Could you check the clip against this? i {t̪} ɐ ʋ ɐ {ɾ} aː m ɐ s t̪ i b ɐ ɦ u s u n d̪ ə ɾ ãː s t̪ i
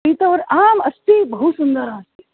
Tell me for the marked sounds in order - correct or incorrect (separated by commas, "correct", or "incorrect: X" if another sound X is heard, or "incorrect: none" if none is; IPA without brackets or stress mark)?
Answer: correct, correct